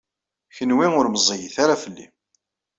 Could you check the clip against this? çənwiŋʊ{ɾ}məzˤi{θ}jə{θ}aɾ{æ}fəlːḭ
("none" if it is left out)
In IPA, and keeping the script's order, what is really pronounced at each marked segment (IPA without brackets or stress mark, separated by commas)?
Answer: ɾ, none, θ, a